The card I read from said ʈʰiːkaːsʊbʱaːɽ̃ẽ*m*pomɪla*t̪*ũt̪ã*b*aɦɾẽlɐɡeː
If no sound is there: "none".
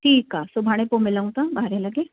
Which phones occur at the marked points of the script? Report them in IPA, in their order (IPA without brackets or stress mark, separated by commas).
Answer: none, none, b